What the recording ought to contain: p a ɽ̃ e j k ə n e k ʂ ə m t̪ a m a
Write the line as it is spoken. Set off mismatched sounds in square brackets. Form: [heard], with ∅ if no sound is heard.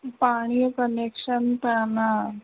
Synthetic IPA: p a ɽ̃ [i] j k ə n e k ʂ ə [n] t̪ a [n] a